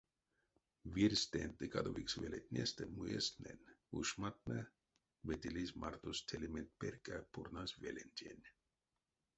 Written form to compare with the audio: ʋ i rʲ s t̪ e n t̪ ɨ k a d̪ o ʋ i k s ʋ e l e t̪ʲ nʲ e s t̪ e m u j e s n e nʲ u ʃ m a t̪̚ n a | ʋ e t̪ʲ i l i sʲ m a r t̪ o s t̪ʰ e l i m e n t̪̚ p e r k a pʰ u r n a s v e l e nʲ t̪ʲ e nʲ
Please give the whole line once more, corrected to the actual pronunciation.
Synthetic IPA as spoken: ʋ i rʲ s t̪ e n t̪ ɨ k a d̪ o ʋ i k s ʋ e l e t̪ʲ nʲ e s t̪ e m u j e s n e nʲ u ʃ m a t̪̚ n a | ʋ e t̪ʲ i l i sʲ m a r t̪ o s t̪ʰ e l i m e n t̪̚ p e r k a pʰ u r n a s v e l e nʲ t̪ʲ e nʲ

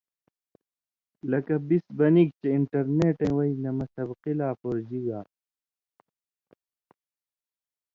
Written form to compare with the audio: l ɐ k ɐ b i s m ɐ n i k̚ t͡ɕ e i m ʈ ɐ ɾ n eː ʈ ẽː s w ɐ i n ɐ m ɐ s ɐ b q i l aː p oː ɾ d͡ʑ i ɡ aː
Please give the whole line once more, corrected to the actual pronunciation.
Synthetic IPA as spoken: l ɐ k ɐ b i s b ɐ n i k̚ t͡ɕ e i ɳ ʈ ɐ ɾ n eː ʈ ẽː w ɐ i n ɐ m ɐ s ɐ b q i l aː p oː ɾ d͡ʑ i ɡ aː

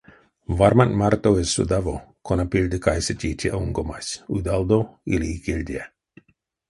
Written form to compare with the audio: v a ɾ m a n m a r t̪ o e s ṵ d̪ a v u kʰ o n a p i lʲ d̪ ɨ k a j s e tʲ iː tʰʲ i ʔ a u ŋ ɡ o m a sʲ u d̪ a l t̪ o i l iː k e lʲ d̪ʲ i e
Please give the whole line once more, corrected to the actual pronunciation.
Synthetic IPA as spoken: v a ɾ m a n m a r t̪ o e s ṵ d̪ a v o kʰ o n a p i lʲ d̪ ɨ k a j s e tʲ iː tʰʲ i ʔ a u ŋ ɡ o m a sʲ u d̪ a l d̪ o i l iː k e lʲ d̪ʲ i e

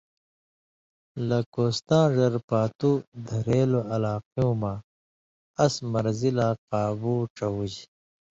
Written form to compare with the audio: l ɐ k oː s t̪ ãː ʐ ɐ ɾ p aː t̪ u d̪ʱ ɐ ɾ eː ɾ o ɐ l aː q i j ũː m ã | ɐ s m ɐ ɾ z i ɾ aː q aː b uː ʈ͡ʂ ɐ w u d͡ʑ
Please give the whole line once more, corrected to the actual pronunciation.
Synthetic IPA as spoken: l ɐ k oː s t̪ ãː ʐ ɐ ɾ p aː t̪ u d̪ʱ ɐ ɾ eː l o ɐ l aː q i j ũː m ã | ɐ s m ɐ ɾ z i l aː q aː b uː ʈ͡ʂ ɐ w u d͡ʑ

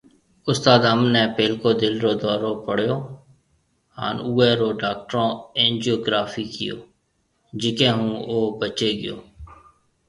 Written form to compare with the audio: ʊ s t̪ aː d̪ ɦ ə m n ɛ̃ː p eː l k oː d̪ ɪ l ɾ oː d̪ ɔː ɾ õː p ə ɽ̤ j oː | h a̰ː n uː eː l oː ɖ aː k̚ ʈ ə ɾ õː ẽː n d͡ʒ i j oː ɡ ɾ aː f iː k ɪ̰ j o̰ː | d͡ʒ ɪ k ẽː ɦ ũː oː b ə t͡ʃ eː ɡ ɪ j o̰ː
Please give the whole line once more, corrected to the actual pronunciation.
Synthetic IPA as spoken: ʊ s t̪ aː d̪ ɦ ə m n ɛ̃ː p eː l k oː d̪ ɪ l ɾ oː d̪ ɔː ɾ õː p ə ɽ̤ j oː | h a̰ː n uː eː ɾ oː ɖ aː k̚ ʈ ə ɾ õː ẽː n d͡ʒ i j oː ɡ ɾ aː f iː k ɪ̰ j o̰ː | d͡ʒ ɪ k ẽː ɦ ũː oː b ə t͡ʃ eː ɡ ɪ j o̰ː

